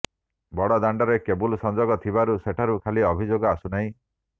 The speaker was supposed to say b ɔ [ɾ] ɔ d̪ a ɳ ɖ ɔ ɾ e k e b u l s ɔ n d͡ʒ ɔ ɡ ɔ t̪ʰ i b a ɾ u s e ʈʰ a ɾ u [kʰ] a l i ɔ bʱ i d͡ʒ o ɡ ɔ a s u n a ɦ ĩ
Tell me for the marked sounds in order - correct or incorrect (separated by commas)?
incorrect, correct